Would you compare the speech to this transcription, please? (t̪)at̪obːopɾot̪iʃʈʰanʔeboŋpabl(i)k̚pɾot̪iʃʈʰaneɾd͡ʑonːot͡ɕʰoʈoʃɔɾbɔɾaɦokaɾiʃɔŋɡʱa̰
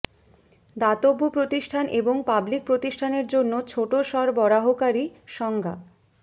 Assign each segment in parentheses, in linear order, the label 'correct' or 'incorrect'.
incorrect: d̪, correct

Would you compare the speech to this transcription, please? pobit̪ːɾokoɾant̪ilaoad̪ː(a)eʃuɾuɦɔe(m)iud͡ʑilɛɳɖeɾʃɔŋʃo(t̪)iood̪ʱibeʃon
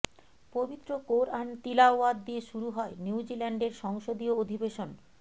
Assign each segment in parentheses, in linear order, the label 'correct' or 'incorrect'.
incorrect: i, incorrect: n, incorrect: d̪

